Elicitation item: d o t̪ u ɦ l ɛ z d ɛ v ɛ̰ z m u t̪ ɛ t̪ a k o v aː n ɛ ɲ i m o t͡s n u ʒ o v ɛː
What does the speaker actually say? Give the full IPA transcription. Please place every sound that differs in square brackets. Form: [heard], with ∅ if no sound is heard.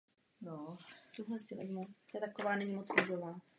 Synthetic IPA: [n] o t̪ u ɦ l ɛ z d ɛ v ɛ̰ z m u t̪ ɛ t̪ a k o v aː n ɛ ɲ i m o t͡s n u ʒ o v [aː]